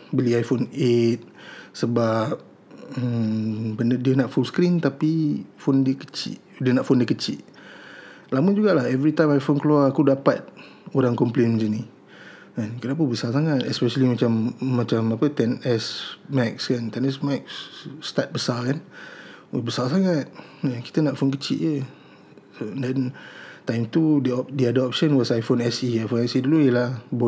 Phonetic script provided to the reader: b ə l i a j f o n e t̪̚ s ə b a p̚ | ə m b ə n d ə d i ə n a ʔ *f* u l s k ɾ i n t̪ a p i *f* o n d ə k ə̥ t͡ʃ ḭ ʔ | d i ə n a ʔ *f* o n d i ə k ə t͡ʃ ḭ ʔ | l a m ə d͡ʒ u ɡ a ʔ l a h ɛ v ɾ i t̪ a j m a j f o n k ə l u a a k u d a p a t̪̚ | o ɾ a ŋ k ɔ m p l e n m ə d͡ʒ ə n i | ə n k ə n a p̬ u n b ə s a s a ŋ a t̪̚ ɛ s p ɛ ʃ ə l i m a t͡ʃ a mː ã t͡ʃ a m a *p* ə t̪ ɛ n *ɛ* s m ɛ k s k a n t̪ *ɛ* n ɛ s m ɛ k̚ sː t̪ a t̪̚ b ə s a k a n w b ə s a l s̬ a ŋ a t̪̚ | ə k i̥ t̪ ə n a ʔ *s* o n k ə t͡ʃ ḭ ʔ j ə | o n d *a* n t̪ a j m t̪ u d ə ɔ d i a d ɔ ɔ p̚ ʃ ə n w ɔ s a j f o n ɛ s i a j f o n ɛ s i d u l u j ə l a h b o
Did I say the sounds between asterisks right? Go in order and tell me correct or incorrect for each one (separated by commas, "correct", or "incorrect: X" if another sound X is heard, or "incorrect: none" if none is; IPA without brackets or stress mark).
correct, correct, correct, correct, correct, correct, incorrect: f, incorrect: ɛ